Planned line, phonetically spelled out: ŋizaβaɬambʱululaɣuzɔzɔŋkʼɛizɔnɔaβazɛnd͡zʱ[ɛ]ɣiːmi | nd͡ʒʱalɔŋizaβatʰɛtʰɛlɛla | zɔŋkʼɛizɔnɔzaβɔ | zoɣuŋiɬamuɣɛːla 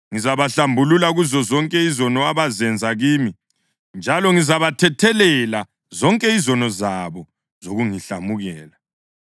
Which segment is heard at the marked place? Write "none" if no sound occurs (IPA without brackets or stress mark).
a